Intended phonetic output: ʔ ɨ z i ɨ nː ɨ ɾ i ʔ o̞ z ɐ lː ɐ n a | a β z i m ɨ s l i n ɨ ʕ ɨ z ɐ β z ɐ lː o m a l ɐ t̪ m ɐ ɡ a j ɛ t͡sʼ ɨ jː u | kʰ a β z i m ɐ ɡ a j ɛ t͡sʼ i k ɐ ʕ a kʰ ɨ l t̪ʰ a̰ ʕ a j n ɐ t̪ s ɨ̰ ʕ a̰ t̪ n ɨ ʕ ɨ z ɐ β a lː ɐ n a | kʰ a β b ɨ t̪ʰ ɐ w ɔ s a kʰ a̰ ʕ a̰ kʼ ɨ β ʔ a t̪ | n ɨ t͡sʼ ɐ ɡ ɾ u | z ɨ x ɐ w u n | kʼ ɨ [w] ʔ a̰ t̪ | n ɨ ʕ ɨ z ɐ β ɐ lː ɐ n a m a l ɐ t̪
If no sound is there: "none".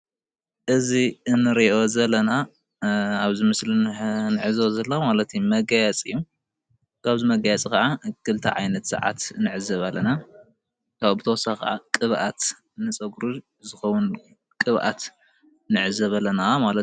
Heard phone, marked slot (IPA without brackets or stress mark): β